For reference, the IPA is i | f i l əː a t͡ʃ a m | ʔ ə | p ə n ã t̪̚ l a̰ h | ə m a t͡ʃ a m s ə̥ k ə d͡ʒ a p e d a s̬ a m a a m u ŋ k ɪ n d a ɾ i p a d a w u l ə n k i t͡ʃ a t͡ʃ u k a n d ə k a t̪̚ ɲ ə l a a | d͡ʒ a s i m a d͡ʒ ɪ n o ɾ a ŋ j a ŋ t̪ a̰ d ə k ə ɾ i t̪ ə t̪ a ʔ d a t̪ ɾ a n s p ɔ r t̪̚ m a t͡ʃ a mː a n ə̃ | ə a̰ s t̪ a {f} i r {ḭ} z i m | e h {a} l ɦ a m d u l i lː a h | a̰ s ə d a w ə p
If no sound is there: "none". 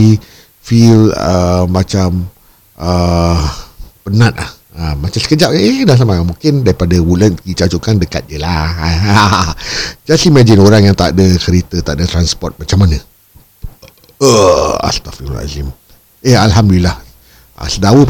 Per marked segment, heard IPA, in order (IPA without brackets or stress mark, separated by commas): f, a̰, a